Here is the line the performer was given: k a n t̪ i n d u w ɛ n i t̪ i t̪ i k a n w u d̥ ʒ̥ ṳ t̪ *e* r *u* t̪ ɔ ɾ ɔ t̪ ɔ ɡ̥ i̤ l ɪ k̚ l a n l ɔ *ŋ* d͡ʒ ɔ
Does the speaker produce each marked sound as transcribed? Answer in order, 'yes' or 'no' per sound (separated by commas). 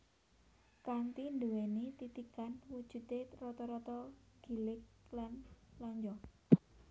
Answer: yes, no, no